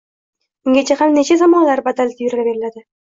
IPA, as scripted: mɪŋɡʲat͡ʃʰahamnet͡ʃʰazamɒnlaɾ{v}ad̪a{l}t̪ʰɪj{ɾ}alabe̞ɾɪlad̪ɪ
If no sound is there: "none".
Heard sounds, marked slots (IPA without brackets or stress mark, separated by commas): b, l, ɾ